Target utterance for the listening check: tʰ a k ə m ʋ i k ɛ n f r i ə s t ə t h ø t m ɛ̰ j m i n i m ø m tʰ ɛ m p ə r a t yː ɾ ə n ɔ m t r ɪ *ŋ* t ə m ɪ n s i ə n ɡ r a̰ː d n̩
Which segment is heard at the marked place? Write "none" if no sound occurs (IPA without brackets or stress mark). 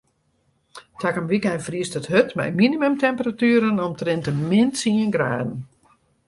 n